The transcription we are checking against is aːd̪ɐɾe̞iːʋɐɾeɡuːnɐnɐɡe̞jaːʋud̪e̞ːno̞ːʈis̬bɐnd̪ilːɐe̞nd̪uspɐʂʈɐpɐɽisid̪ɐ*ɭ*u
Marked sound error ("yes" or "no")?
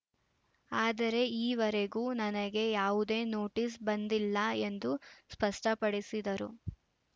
yes